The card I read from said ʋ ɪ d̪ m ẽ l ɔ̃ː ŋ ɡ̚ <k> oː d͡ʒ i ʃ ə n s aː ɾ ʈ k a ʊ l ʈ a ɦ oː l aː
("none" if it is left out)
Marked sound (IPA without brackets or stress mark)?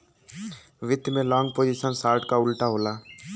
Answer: p